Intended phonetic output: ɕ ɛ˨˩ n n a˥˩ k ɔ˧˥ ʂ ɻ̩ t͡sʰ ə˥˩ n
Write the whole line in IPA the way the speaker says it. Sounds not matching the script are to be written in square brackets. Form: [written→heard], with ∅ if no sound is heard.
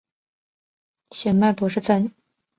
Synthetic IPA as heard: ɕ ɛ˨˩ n [n→m] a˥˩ [k→p] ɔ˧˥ ʂ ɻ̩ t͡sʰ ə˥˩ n

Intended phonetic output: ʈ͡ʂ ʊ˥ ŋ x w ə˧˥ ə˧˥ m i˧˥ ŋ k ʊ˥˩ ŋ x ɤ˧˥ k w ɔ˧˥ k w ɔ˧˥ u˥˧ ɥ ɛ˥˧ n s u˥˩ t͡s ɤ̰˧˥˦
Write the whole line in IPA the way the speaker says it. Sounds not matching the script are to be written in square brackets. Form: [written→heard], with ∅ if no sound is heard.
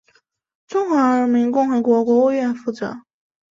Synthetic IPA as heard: ʈ͡ʂ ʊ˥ ŋ x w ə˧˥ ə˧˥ m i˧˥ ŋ k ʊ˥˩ ŋ x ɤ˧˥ k w ɔ˧˥ k w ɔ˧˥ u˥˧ ɥ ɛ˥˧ n [s→f] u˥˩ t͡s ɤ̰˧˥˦

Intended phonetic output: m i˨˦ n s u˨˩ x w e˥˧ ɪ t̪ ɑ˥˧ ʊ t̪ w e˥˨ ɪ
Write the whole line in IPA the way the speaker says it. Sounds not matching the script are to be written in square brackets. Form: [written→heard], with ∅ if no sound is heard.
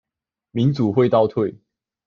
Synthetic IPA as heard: m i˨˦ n [s→t͡s] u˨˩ x w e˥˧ ɪ t̪ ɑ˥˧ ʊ [t̪→t̪ʰ] w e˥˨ ɪ

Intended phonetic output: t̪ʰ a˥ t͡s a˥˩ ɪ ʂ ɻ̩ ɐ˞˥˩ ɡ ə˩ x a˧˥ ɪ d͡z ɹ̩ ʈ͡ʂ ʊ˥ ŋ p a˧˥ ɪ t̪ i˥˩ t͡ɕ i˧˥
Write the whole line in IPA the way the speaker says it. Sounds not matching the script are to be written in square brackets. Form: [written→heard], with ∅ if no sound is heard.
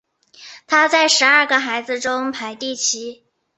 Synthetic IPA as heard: t̪ʰ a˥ t͡s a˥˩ ɪ ʂ ɻ̩ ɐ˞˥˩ ɡ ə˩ x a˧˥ ɪ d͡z ɹ̩ ʈ͡ʂ ʊ˥ ŋ [p→pʰ] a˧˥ ɪ t̪ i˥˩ [t͡ɕ→t͡ɕʰ] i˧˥

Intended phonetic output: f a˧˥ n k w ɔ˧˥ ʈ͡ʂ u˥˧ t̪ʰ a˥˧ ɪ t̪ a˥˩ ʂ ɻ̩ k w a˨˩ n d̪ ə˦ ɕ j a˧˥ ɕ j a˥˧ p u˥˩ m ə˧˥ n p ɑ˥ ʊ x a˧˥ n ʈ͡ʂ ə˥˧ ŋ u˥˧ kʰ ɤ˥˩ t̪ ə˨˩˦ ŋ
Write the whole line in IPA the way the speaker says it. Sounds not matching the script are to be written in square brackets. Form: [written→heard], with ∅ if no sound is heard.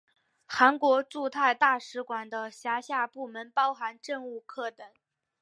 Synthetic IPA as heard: [f→x] a˧˥ n k w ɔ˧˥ ʈ͡ʂ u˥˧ t̪ʰ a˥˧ ɪ t̪ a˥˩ ʂ ɻ̩ k w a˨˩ n d̪ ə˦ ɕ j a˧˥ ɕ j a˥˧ p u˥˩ m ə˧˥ n p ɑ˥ ʊ x a˧˥ n ʈ͡ʂ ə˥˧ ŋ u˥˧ kʰ ɤ˥˩ t̪ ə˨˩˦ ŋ

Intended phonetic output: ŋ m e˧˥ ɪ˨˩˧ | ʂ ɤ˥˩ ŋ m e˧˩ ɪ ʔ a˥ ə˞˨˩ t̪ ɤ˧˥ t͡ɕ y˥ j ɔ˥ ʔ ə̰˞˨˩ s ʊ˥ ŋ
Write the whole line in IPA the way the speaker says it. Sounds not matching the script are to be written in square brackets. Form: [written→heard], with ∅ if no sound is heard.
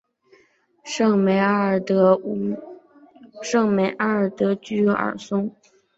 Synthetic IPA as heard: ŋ m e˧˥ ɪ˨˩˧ | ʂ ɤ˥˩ ŋ m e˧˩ ɪ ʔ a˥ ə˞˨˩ t̪ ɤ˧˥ t͡ɕ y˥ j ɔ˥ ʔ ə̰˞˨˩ s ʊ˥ ŋ

